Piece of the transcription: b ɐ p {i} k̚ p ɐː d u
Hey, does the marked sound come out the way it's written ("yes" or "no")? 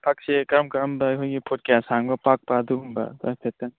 no